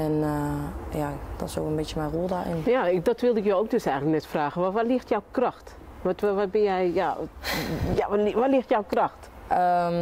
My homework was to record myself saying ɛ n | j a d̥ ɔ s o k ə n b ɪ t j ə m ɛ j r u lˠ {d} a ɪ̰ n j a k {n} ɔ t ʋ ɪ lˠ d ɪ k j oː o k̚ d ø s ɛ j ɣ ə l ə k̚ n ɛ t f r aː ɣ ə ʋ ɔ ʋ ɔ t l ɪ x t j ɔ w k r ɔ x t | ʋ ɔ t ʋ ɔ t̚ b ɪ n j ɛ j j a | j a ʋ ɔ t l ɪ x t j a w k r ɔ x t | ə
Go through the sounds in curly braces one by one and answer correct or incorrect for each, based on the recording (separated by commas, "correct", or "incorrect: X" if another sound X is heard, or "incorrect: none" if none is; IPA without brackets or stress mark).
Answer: correct, incorrect: d